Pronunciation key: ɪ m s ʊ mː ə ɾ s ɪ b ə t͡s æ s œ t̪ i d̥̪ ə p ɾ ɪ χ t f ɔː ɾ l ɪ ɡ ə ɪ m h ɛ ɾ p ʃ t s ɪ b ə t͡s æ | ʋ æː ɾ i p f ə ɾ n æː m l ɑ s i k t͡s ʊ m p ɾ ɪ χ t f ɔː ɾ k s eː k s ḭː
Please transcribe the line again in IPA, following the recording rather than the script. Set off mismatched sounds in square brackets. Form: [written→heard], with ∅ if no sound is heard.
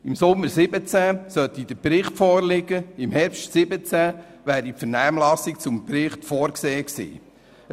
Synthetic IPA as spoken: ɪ m s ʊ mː ə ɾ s ɪ b ə t͡s æ s œ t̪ i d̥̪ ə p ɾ ɪ χ t f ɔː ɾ l ɪ ɡ ə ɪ m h ɛ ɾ p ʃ t s ɪ b ə t͡s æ | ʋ æː ɾ i p f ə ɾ n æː m l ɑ s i k t͡s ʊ m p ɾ ɪ χ t f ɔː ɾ k s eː k s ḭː